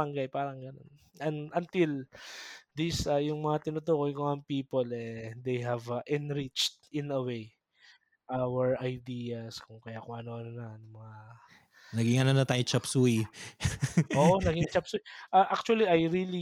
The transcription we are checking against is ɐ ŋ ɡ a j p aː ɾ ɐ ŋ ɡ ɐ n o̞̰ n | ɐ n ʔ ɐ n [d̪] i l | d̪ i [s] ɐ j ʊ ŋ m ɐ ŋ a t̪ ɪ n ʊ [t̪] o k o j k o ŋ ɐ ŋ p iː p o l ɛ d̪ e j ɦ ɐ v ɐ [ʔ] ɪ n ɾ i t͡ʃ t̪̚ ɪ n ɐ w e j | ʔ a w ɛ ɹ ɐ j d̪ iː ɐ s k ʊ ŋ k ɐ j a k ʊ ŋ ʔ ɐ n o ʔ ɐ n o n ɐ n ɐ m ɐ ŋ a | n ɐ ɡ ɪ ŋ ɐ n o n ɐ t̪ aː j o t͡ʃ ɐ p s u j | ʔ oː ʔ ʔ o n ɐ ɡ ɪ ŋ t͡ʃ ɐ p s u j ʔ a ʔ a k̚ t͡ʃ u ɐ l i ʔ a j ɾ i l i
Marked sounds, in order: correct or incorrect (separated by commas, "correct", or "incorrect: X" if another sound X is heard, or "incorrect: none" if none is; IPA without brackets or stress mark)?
incorrect: t̪, correct, correct, correct